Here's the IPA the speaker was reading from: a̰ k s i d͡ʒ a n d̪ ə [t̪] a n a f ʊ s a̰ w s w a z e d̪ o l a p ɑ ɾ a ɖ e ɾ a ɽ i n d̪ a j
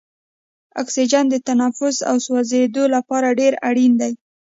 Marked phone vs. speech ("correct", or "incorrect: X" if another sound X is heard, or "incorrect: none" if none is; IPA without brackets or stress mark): correct